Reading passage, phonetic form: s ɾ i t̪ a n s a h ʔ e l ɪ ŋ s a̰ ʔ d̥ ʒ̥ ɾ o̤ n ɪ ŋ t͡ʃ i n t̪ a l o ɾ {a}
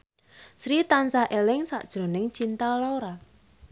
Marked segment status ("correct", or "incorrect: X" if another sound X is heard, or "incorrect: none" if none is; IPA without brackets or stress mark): correct